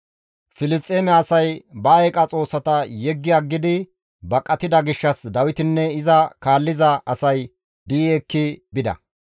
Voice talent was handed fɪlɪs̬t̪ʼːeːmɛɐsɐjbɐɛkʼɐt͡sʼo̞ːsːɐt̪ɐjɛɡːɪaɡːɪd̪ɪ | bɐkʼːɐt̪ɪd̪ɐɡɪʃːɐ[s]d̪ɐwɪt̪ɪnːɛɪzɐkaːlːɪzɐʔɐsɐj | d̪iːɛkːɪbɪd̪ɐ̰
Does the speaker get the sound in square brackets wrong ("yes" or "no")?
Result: no